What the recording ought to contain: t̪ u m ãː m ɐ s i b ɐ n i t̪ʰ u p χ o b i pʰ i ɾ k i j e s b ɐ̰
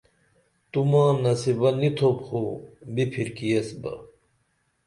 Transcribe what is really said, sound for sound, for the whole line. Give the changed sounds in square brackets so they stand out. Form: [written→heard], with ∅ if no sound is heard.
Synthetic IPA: t̪ u m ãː [m→n] ɐ s i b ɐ n i t̪ʰ [u→o] p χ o b i pʰ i ɾ k i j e s b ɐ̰